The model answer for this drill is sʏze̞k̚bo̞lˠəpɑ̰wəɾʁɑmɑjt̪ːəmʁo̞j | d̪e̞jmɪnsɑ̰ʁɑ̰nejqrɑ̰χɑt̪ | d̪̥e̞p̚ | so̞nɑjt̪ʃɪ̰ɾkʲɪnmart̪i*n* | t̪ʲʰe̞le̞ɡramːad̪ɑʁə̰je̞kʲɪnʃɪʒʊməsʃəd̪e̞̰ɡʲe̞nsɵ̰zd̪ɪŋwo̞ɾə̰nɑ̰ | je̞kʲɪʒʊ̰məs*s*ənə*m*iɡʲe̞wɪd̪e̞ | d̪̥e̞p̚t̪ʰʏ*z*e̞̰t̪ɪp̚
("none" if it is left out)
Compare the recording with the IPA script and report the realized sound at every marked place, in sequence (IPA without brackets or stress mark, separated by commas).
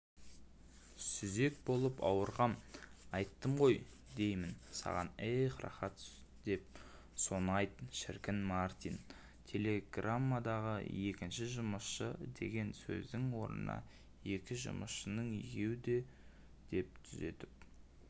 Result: n, ʃ, ɴ, z